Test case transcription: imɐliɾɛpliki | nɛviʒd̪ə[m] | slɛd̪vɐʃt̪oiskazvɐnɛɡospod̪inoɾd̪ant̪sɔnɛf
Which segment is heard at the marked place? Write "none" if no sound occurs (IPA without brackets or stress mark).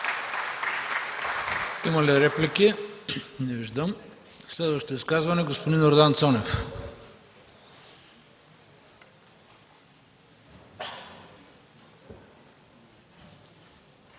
m